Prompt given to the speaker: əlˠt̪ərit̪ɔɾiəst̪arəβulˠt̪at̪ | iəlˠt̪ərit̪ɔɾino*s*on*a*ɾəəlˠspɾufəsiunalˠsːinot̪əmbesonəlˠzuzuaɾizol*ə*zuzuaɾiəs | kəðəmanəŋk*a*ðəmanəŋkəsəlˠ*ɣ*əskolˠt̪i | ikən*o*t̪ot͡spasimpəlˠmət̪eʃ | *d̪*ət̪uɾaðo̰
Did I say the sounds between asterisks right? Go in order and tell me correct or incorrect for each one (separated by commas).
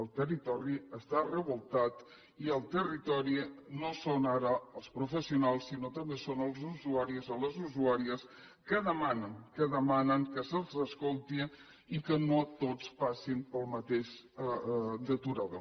correct, correct, correct, incorrect, incorrect, correct, correct